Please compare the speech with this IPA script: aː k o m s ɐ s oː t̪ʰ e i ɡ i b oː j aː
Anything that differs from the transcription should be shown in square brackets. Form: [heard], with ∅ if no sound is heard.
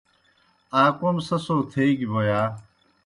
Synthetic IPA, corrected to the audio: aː k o m s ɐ s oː t̪ʰ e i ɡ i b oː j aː